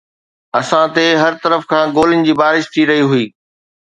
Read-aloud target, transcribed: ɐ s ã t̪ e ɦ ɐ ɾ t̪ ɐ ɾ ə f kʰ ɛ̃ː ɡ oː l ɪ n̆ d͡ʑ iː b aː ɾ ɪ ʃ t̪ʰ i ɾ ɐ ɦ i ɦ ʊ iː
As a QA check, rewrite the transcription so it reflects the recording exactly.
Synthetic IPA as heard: ɐ s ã t̪ e ɦ ɐ ɾ t̪ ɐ ɾ ə f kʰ ãː ɡ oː l ɪ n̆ d͡ʑ iː b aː ɾ ɪ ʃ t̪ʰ i ɾ ɐ ɦ i ɦ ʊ iː

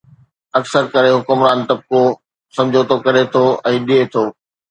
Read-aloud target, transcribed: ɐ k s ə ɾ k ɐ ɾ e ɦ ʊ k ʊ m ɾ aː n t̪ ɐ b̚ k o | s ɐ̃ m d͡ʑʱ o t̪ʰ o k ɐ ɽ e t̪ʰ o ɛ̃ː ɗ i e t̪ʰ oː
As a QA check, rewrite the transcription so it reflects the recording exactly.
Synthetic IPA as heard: ɐ k s ə ɾ k ɐ ɾ e ɦ ʊ k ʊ m ɾ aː n t̪ ɐ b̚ k o | s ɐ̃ m d͡ʑʱ o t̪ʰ o k ɐ ɾ e t̪ʰ o ɛ̃ː ɗ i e t̪ʰ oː

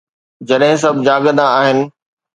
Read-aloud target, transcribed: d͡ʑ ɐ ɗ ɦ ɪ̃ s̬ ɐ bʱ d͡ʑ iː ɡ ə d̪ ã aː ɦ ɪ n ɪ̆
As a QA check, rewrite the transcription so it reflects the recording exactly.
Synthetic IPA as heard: d͡ʑ ɐ ɗ ɦ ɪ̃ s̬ ɐ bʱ d͡ʑ aː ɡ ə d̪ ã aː ɦ ɪ n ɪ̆

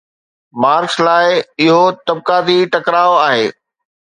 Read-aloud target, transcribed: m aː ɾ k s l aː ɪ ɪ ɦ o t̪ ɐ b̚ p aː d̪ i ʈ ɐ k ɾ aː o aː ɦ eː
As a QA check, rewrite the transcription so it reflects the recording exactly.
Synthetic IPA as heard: m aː ɾ k s l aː ɪ ɪ ɦ o t̪ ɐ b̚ k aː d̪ i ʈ ɐ k ɾ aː o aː ɦ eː

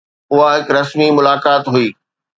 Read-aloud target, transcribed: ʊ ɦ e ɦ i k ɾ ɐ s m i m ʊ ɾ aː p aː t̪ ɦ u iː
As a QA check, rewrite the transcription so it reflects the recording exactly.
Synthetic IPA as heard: ʊ ɦ a ɦ ɪ k ɾ ɐ s m i m ʊ l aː k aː t̪ ɦ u iː

